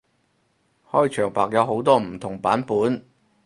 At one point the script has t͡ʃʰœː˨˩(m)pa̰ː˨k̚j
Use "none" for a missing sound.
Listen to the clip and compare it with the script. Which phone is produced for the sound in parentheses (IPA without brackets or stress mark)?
ŋ